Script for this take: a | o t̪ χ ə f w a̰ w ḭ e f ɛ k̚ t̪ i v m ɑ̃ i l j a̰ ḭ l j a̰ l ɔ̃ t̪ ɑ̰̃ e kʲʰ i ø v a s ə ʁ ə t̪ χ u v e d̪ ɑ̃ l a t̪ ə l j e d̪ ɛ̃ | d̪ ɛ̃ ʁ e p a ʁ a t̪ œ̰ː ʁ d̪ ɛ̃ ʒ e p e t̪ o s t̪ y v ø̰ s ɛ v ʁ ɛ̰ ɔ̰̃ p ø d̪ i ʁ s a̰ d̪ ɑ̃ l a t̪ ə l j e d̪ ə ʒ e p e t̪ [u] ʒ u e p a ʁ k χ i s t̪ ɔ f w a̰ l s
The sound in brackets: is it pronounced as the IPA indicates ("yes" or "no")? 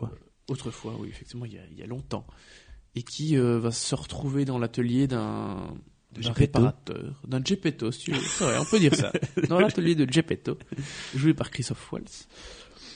no